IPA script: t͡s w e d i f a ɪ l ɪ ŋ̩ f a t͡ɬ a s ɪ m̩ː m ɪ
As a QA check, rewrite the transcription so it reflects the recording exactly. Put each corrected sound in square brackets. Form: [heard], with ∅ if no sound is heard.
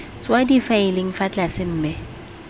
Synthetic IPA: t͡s w [a] d i f a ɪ l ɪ ŋ̩ f a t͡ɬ a s ɪ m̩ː m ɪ

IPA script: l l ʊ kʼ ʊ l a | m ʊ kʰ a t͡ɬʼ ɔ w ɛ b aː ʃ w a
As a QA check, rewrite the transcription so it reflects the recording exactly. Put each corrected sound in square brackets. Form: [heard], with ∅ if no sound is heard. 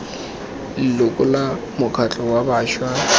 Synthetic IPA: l l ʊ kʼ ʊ l a | m ʊ kʰ a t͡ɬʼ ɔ w [a] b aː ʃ w a

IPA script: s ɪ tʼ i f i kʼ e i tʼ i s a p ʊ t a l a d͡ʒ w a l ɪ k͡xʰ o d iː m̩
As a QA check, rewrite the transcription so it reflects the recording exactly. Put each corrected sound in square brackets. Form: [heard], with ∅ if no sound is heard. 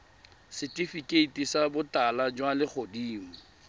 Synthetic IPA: s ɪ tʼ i f i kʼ e i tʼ i s a [b] ʊ t a l a d͡ʒ w a l ɪ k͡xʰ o d iː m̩

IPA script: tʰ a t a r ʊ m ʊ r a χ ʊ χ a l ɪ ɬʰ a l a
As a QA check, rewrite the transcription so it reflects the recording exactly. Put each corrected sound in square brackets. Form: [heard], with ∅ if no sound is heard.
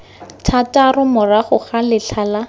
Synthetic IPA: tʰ a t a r ʊ m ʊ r a χ ʊ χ a l ɪ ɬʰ a l a

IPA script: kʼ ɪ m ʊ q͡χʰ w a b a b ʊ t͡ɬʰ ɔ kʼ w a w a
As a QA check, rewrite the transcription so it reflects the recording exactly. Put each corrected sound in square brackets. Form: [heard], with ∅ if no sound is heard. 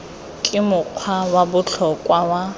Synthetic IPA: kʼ ɪ m ʊ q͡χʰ w a [w] a b ʊ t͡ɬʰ ɔ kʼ w a w a

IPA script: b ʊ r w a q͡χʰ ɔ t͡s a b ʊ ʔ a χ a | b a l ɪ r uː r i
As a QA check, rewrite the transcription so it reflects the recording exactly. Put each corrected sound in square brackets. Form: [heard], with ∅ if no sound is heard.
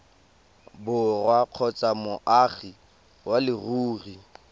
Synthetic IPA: b ʊ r w a q͡χʰ ɔ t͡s a [m] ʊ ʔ a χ [i] | [w] a l ɪ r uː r i

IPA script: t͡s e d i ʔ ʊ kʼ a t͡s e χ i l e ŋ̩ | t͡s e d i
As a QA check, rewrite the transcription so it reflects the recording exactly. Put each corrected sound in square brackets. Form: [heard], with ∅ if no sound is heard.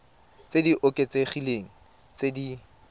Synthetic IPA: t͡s e d i ʔ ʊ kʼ [e] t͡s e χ i l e ŋ̩ | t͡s e d i

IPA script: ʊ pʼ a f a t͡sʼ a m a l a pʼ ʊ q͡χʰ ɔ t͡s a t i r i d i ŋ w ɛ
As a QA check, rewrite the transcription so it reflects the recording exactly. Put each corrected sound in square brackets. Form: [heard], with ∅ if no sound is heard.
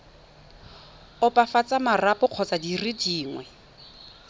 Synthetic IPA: ʊ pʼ a f a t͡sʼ a m a [r] a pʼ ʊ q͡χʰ ɔ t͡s a [d] i r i d [iː] ŋ w ɛ

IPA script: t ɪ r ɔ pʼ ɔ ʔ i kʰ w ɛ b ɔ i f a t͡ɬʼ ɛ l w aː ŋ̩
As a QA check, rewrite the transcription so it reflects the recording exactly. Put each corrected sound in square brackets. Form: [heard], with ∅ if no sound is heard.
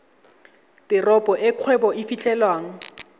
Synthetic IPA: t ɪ r ɔ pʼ ɔ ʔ [ɪ] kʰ w ɛ b ɔ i f [i] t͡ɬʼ ɛ l w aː ŋ̩

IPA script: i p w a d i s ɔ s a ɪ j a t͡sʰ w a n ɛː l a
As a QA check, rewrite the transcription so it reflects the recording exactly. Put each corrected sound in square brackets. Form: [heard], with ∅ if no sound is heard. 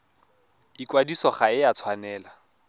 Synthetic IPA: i [k] w a d i s ɔ [χ] a ɪ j a t͡sʰ w a n ɛː l a

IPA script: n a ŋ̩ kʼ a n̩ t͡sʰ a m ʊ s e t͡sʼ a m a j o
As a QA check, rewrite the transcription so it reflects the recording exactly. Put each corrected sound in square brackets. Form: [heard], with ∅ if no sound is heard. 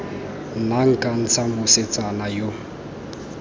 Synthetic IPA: n a ŋ̩ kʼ a n̩ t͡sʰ a m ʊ s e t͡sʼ a [n] a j o

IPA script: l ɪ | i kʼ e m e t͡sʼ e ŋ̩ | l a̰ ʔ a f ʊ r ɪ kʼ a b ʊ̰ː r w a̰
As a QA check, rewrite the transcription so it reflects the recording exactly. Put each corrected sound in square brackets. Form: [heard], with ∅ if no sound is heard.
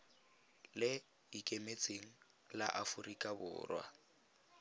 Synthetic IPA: l ɪ | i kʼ e m e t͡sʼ e ŋ̩ | l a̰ ʔ a f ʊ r [i] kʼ a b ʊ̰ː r w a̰

